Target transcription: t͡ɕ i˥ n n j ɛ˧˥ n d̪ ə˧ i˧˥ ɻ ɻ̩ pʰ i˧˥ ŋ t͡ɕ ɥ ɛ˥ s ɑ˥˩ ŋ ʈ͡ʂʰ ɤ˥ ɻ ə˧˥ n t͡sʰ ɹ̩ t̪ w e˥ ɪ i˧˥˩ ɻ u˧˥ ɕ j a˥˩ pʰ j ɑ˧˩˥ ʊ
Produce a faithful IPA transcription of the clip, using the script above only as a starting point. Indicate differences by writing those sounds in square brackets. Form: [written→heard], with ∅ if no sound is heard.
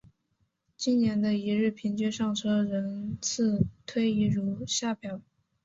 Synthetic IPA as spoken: t͡ɕ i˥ n n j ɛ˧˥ n d̪ ə˧ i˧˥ ɻ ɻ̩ pʰ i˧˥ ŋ t͡ɕ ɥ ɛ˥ [s→ʂ] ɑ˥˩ ŋ ʈ͡ʂʰ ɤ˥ ɻ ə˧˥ n t͡sʰ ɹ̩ [t̪→t̪ʰ] w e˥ ɪ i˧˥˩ ɻ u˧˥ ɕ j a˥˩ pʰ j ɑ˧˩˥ ʊ